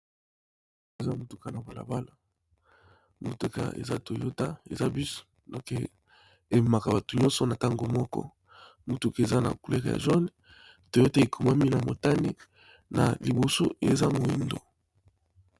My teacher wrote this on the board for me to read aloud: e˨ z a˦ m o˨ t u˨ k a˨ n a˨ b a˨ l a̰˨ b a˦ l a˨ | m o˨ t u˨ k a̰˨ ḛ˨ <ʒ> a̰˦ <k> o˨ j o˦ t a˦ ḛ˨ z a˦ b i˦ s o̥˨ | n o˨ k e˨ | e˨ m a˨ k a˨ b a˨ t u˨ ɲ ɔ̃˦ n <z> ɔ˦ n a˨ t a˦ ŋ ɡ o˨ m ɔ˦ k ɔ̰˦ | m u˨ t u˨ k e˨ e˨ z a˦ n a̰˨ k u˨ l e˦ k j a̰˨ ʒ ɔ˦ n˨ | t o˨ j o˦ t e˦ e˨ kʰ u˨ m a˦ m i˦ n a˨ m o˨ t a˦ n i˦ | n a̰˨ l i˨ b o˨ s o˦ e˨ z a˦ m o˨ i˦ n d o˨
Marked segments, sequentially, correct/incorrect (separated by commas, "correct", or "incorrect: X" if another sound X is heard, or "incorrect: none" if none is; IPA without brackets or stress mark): incorrect: z, incorrect: t, incorrect: s